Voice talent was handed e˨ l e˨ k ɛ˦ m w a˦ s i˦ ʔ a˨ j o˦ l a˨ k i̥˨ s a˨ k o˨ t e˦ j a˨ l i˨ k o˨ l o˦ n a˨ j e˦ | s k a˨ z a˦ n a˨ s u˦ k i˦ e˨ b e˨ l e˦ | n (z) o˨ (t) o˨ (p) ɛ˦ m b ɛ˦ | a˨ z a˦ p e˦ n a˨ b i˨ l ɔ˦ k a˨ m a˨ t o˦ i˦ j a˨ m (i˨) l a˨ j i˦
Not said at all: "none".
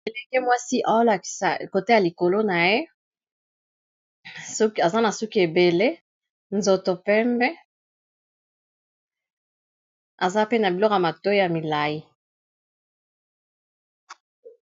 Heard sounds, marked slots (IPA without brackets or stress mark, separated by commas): z, t, p, i˨